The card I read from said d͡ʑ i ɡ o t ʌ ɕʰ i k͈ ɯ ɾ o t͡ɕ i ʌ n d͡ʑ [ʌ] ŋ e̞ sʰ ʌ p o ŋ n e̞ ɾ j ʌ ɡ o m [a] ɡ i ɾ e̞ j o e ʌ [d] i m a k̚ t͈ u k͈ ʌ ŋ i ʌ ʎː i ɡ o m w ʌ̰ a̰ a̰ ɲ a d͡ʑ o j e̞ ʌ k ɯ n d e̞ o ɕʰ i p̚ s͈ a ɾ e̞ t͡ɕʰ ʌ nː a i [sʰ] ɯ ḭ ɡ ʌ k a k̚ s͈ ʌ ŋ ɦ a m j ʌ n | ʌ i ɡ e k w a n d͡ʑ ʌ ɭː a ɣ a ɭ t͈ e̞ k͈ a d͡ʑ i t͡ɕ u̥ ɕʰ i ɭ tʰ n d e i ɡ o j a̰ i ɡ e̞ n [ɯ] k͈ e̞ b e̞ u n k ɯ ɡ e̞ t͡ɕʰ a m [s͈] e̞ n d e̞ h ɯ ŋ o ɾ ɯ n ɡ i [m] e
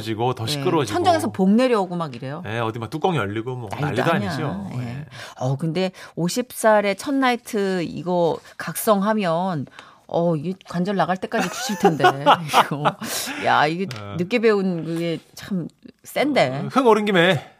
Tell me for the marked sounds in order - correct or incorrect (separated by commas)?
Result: correct, correct, correct, incorrect, correct, correct, correct